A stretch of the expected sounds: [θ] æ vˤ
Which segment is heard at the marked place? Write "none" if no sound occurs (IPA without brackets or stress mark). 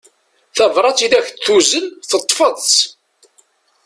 θ